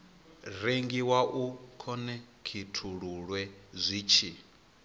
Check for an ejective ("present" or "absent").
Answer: absent